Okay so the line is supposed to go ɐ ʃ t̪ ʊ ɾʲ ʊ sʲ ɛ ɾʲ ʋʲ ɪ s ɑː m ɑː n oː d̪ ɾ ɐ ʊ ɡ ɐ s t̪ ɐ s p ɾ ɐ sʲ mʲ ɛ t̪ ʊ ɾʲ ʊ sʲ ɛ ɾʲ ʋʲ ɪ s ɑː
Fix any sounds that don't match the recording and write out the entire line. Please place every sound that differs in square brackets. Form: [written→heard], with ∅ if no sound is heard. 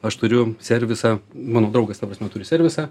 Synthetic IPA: ɐ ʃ t̪ ʊ ɾʲ ʊ sʲ ɛ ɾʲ ʋʲ ɪ s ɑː m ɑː n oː d̪ ɾ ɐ ʊ ɡ ɐ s t̪ ɐ [s→∅] p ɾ ɐ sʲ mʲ ɛ t̪ ʊ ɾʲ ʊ sʲ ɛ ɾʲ ʋʲ ɪ s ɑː